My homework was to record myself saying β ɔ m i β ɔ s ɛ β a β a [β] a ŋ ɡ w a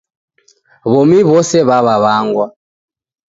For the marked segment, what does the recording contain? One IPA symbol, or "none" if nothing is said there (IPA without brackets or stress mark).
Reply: β